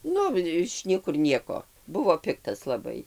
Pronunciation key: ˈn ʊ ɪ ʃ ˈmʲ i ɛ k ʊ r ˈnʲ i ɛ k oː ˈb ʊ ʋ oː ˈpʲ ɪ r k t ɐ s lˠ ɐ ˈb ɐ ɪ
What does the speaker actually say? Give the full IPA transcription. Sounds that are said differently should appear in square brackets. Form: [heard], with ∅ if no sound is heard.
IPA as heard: ˈn ʊ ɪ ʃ [ˈnʲ] i ɛ k ʊ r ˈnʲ i ɛ k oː ˈb ʊ ʋ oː ˈpʲ ɪ [∅] k t ɐ s lˠ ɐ ˈb ɐ ɪ